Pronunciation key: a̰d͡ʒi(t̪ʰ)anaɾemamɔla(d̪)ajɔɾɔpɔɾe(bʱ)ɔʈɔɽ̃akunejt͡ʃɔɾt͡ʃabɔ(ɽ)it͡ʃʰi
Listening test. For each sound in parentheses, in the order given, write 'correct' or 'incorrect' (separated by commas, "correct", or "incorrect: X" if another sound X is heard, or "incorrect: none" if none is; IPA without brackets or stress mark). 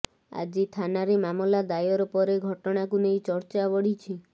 correct, correct, incorrect: ɡʱ, correct